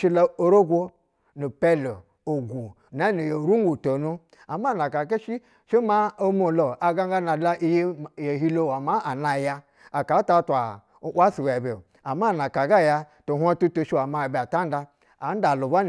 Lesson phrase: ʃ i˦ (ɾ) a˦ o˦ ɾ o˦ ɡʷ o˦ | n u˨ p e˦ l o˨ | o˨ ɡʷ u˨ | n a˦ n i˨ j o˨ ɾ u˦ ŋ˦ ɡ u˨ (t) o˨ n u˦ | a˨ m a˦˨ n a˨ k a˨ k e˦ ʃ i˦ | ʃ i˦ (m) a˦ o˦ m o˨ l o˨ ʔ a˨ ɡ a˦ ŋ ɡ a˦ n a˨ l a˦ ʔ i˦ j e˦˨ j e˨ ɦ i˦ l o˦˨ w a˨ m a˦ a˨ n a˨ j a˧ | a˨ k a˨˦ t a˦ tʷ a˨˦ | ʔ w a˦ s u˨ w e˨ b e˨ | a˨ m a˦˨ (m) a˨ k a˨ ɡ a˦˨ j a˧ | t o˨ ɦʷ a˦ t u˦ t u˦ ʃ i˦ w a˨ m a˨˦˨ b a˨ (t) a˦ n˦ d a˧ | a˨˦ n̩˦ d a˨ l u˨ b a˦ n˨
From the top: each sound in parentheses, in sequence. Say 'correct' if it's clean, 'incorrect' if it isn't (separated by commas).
incorrect, correct, correct, incorrect, correct